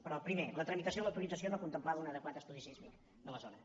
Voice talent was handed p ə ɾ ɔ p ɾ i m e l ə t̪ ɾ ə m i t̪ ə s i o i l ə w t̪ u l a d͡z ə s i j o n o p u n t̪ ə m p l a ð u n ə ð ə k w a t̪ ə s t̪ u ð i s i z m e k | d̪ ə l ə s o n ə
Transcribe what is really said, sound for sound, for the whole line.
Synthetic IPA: p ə ɾ ɔ p ɾ i m e l ə t̪ ɾ ə m i t̪ ə s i o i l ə w t̪ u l i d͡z ə s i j o n o k u n t̪ ə m p l a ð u n ə ð ə k w a t̪ ə s t̪ u ð i s i z m i k | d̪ ə l ə z o n ə